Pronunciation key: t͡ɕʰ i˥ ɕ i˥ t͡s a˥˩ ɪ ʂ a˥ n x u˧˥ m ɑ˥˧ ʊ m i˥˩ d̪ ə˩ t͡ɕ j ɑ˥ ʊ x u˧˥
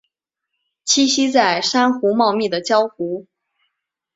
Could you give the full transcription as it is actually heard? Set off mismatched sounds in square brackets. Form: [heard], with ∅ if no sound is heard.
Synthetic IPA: t͡ɕʰ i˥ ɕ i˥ t͡s a˥˩ ɪ ʂ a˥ n x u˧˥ m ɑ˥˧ ʊ m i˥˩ d̪ ə˩ t͡ɕ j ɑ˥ ʊ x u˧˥